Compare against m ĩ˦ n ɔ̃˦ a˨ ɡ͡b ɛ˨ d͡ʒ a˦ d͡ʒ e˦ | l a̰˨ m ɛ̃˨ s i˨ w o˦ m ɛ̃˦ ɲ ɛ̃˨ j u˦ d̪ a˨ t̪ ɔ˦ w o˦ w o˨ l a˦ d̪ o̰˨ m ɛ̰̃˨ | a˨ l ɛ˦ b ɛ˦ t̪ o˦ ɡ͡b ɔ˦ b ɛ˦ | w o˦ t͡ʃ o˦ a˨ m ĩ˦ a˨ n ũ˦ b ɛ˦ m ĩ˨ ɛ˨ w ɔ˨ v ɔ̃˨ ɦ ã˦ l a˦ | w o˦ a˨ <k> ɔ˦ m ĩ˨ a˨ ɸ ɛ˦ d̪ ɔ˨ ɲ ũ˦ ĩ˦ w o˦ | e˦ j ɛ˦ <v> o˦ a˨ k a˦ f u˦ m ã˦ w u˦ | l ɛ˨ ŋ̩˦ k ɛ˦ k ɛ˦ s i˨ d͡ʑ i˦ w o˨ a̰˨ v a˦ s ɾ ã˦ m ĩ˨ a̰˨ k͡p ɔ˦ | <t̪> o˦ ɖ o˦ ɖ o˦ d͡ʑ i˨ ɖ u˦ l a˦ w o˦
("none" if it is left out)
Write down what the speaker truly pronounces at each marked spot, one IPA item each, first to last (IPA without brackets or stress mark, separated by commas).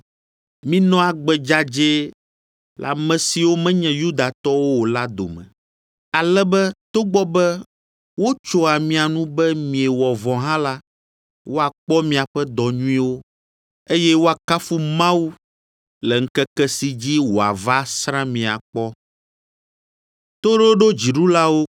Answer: k͡p, w, t̪